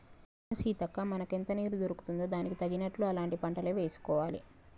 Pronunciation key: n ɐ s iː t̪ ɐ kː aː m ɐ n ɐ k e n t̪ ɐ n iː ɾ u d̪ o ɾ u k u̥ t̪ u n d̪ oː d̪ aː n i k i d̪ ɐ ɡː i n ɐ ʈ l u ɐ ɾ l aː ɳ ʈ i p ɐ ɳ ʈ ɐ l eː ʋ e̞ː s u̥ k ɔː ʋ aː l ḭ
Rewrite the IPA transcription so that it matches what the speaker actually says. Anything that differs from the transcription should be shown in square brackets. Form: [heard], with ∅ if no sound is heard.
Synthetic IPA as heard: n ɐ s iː t̪ ɐ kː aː m ɐ n ɐ k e n t̪ ɐ n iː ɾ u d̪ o ɾ u k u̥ t̪ u n d̪ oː d̪ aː n i k i [t̪] ɐ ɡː i n ɐ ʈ l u ɐ [∅] l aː ɳ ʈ i p ɐ ɳ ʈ ɐ l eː ʋ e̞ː s u̥ k ɔː ʋ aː l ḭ